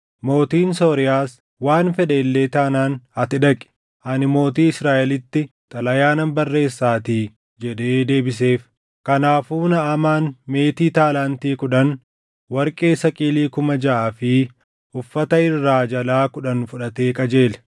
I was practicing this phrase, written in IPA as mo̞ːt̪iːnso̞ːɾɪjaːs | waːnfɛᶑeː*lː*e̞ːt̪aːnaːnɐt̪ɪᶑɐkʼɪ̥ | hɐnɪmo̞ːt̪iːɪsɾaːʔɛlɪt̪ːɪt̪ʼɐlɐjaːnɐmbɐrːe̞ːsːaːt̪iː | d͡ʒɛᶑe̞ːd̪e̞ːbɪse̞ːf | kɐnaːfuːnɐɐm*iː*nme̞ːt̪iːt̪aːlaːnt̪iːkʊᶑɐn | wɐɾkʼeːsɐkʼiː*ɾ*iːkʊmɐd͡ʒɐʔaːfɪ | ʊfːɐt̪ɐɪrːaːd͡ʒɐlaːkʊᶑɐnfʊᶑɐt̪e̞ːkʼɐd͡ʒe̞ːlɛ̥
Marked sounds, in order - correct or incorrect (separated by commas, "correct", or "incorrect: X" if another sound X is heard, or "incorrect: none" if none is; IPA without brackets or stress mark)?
correct, incorrect: aː, incorrect: l